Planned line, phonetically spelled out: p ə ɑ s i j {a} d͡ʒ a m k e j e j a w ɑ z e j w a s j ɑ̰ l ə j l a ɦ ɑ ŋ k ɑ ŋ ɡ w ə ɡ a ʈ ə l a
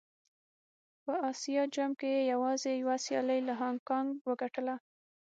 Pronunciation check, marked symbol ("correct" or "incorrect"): incorrect